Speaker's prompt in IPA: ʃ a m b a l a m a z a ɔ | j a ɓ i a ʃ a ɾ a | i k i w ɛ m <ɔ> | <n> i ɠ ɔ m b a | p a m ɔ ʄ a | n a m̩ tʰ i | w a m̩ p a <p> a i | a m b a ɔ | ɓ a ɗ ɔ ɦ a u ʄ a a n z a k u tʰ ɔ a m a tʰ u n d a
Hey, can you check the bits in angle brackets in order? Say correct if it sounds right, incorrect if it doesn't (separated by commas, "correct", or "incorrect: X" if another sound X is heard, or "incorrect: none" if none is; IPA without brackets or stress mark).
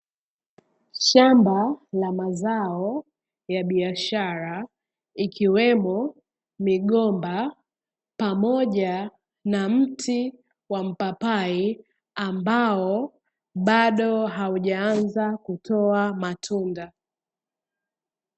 correct, incorrect: m, correct